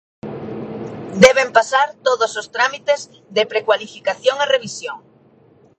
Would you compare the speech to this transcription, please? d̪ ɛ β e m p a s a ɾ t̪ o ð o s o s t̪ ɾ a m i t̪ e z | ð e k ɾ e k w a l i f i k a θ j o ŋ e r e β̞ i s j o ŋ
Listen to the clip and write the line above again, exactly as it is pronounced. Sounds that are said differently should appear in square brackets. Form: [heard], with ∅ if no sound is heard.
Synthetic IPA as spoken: d̪ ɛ β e m p a s a ɾ t̪ o ð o s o s t̪ ɾ a m i t̪ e z | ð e [p] ɾ e k w a l i f i k a θ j o ŋ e r e β̞ i s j o ŋ